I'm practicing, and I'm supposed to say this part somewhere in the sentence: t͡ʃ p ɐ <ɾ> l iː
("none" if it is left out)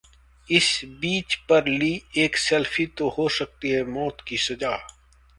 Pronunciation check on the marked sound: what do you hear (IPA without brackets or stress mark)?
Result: ɾ